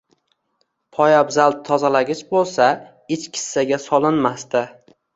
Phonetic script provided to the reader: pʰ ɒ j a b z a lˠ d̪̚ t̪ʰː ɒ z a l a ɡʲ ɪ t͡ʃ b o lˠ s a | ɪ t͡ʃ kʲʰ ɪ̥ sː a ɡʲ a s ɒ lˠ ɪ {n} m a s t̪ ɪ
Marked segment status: correct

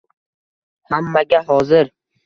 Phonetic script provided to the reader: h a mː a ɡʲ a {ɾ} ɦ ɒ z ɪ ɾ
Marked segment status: incorrect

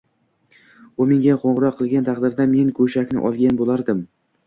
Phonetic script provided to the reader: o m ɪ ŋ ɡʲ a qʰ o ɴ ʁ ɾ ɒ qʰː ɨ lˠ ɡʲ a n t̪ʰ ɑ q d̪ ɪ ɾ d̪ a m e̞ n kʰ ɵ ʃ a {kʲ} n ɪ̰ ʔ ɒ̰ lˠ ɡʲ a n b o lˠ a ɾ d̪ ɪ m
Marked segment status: correct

